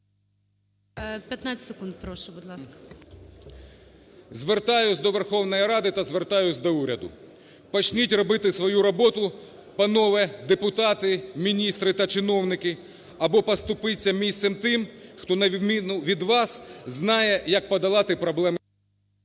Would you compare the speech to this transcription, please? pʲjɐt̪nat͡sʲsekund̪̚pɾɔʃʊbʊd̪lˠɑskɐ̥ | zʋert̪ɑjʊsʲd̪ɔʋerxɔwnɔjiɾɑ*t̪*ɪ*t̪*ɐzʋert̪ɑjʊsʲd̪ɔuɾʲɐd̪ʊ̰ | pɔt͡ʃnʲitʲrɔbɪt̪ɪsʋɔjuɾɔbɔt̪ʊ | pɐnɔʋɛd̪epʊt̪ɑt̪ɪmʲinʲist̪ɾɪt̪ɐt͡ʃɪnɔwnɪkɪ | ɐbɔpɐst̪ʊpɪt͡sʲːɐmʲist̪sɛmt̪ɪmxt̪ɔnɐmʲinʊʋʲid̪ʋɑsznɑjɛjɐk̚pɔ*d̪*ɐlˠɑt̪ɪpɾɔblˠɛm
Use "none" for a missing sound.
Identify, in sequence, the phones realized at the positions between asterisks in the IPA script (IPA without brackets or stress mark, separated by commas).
d̪, t̪, d̪